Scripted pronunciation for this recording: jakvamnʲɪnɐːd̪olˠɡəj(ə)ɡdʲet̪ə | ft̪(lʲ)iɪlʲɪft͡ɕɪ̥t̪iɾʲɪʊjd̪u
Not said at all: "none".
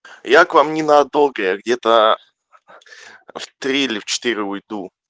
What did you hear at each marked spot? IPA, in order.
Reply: a, ɾʲ

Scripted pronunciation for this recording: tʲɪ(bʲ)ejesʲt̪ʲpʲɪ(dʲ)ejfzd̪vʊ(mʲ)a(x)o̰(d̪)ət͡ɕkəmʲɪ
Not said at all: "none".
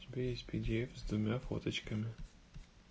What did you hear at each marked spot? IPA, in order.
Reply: bʲ, dʲ, mʲ, f, t̪

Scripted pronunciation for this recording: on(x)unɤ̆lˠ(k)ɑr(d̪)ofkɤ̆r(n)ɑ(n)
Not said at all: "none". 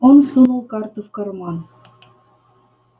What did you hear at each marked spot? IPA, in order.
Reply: s, k, t̪, m, n

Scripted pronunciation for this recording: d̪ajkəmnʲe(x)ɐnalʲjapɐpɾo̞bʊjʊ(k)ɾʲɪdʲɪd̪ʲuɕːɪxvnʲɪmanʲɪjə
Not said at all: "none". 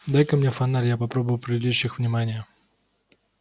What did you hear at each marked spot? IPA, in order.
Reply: f, p

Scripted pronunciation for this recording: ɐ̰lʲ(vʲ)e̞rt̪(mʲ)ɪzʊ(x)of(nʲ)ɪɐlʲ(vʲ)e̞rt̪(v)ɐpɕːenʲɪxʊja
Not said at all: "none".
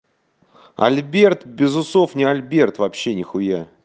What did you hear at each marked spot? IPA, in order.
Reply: bʲ, bʲ, s, nʲ, bʲ, v

